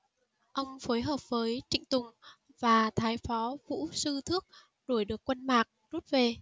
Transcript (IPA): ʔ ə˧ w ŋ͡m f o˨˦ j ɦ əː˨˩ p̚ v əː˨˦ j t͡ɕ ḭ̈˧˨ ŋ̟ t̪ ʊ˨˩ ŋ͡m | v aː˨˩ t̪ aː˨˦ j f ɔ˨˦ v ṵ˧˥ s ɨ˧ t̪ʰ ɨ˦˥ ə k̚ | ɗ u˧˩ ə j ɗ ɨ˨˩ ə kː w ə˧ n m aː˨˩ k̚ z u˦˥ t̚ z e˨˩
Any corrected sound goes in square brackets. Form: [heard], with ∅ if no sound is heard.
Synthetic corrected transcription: ʔ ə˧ w ŋ͡m f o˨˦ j ɦ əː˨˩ p̚ v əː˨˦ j t͡ɕ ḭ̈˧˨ ŋ̟ t̪ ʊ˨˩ ŋ͡m | v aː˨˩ [t̪ʰ] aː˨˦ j f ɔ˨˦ v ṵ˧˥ s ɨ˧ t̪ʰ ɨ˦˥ ə k̚ | ɗ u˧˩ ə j ɗ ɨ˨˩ ə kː w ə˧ n m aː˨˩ k̚ z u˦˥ t̚ [v] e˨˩